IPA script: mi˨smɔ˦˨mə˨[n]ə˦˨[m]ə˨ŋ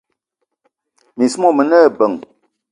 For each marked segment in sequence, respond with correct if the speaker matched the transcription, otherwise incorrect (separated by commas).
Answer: correct, incorrect